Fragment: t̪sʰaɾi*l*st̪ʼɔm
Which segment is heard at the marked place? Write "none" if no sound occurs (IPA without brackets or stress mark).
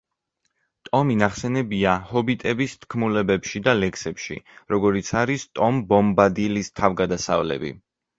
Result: none